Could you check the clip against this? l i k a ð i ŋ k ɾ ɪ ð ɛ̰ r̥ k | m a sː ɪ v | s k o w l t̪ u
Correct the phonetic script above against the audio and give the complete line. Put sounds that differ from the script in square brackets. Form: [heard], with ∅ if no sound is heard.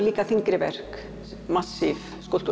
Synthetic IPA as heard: l [iː] k a [θ] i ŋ k ɾ ɪ [v] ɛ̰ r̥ k | m a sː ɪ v | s k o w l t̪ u